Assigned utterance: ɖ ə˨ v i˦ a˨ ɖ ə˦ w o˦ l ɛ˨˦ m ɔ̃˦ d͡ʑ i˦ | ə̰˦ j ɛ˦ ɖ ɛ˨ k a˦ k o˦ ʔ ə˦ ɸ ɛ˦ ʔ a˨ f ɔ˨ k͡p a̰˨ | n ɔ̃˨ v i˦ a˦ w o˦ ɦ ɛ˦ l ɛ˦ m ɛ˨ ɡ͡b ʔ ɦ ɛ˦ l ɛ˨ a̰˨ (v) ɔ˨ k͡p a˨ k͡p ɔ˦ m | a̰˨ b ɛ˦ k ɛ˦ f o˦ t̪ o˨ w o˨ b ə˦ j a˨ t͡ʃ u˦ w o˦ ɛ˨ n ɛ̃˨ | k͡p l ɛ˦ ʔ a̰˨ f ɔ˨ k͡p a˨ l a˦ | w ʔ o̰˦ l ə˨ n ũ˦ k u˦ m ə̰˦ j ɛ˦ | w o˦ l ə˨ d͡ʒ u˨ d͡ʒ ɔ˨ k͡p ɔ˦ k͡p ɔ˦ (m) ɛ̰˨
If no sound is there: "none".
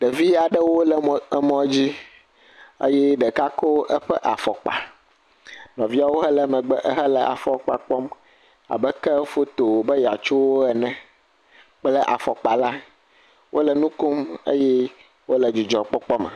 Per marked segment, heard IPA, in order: f, m

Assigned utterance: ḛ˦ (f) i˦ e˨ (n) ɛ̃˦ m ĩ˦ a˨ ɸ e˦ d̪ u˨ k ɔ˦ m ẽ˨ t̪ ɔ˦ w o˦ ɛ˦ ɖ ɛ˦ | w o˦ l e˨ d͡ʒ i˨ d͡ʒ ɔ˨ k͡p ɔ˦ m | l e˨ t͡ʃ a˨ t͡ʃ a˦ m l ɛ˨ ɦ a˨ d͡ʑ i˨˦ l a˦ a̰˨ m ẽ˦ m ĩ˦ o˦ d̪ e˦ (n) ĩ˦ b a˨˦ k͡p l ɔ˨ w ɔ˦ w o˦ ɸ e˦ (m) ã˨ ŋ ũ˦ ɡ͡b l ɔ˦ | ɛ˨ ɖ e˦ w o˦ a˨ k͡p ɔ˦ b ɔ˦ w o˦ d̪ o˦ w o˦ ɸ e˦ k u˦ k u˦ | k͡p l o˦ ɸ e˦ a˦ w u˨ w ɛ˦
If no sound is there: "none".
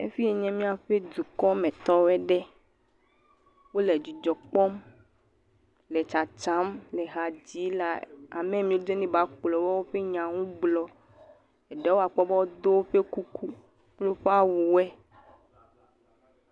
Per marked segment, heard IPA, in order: f, ɲ, n, ɲ

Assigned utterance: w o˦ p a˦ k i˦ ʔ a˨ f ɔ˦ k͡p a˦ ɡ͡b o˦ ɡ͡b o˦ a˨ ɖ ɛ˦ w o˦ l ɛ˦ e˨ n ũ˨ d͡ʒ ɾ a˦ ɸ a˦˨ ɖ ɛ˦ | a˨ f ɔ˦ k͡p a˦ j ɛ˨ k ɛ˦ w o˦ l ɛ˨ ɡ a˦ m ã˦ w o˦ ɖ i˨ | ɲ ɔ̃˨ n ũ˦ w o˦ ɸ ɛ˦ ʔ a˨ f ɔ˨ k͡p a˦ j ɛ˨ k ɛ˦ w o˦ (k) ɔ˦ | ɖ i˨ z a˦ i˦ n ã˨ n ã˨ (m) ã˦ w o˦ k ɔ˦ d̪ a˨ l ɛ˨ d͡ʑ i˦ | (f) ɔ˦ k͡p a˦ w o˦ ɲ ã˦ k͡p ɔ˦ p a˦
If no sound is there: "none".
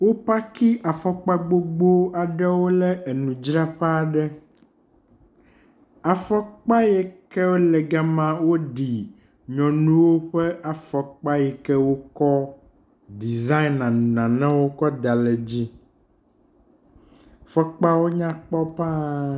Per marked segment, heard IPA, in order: k, n, f

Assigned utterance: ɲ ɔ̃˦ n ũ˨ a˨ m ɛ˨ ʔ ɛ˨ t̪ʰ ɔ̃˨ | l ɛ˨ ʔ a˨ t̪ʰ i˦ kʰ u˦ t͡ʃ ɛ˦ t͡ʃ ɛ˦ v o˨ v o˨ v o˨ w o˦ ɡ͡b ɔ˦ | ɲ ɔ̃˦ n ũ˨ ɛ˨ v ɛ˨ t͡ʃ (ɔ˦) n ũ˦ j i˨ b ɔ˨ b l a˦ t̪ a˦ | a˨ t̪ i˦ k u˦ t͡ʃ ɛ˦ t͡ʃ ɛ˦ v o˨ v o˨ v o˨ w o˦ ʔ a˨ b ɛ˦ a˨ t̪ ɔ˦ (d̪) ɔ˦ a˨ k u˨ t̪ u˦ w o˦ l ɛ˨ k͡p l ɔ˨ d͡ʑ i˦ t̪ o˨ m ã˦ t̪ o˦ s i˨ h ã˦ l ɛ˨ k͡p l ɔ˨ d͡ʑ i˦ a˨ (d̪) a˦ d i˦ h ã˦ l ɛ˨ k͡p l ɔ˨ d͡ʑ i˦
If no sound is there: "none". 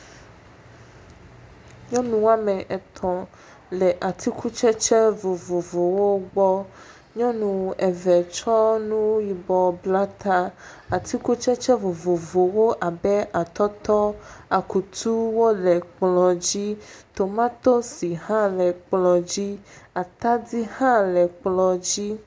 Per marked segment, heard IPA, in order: ɔ˦, t̪, t̪

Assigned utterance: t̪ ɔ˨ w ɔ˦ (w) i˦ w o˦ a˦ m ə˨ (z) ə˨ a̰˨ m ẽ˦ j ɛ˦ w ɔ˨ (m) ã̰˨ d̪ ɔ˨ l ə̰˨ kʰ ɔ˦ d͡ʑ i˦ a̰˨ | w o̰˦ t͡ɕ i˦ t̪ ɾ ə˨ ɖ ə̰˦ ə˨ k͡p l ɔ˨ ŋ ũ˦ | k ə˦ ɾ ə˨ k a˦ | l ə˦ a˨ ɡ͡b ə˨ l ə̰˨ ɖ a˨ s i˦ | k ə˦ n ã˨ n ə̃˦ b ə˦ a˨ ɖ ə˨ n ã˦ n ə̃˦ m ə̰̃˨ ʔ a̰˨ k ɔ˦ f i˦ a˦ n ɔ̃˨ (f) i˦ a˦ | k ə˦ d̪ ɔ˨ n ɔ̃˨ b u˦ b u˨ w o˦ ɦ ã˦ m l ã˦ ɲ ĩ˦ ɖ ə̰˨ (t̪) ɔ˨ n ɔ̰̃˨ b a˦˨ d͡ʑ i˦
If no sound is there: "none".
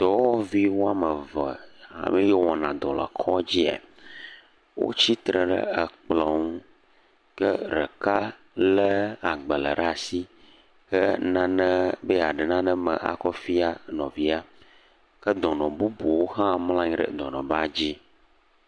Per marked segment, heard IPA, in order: v, v, n, v, d̪

